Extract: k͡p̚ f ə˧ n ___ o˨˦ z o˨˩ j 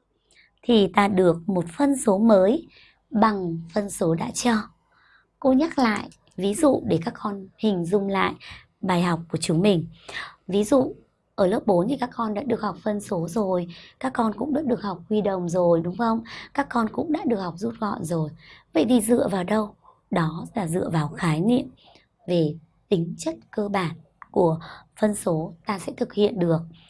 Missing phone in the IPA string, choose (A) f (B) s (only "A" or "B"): B